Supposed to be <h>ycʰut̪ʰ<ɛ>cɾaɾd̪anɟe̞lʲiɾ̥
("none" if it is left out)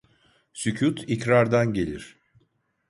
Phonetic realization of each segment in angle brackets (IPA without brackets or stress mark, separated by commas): s, i